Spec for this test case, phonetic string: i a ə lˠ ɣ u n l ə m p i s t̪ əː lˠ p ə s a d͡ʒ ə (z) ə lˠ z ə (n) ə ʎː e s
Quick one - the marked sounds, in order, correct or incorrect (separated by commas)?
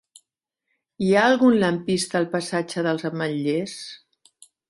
incorrect, incorrect